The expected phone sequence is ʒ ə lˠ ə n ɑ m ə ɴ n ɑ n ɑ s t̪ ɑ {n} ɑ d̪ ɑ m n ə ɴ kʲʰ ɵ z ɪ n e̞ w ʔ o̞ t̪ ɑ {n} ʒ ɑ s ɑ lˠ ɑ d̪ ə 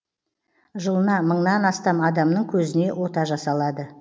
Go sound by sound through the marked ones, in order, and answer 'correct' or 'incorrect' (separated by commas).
incorrect, incorrect